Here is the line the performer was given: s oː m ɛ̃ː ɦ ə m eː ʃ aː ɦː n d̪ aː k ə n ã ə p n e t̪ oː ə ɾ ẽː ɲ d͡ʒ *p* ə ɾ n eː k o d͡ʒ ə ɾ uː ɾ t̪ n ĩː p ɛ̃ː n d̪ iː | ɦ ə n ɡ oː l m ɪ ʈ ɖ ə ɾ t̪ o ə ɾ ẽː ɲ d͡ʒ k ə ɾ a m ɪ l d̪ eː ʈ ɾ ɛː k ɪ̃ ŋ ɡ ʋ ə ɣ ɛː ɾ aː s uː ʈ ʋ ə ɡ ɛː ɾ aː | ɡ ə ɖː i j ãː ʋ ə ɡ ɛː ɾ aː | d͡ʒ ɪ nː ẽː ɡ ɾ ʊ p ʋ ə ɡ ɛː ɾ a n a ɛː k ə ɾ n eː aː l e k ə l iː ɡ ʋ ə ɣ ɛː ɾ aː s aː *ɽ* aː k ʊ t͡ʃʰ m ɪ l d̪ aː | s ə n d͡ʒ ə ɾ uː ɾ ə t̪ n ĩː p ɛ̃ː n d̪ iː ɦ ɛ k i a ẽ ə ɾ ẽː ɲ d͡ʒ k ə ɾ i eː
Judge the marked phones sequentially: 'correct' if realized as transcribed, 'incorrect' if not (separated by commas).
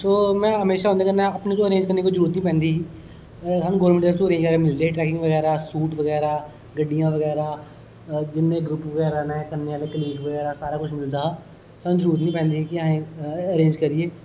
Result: incorrect, incorrect